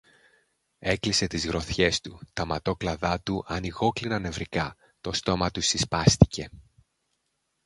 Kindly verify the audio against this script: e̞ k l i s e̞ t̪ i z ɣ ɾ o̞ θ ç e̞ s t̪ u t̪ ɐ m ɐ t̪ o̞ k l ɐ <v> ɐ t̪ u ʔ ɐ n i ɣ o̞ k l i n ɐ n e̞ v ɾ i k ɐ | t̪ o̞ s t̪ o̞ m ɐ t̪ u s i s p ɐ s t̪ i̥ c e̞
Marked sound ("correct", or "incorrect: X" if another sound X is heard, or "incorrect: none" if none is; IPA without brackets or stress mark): incorrect: ð